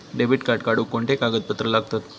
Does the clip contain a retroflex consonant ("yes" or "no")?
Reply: yes